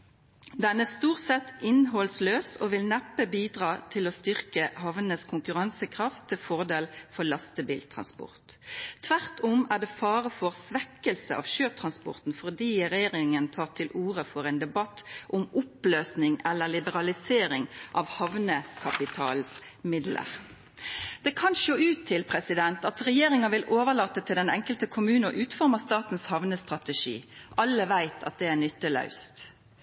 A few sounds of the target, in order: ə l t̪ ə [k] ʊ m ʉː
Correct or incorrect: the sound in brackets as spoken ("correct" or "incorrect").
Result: incorrect